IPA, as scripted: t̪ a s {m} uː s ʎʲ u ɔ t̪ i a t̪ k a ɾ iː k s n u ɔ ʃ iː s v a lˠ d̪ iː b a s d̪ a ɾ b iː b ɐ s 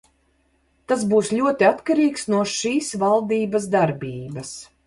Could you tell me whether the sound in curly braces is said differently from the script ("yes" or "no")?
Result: yes